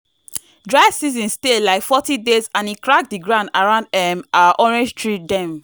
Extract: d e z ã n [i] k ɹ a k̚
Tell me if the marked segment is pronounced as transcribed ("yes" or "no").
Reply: yes